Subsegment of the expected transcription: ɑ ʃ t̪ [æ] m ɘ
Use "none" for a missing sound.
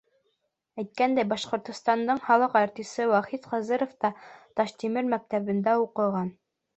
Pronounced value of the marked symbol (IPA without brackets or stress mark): i